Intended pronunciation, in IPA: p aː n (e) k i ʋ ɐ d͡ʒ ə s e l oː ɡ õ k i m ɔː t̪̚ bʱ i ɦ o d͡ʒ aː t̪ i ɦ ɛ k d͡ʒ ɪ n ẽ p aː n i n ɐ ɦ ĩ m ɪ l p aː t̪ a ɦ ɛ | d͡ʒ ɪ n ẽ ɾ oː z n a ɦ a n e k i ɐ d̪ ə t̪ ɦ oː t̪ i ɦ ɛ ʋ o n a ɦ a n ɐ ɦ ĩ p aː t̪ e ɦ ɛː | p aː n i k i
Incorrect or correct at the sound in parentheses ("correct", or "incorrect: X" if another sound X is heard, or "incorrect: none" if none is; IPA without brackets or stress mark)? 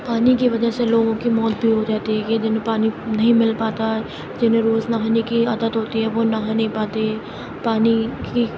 incorrect: i